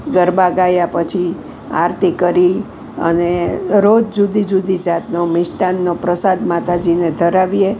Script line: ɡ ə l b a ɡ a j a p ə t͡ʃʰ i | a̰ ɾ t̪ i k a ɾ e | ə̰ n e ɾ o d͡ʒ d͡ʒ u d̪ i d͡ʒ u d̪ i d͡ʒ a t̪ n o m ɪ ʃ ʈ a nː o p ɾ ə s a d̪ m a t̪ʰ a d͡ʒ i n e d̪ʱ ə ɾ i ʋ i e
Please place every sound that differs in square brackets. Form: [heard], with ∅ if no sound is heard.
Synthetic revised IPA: ɡ ə [ɾ] b a ɡ a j a p ə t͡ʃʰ i | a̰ ɾ t̪ i k [ə] ɾ [i] | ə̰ n e ɾ o d͡ʒ d͡ʒ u d̪ i d͡ʒ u d̪ i d͡ʒ a t̪ n o m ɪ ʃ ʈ a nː o p ɾ ə s a d̪ m a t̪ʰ a d͡ʒ i n e d̪ʱ ə ɾ [a] ʋ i e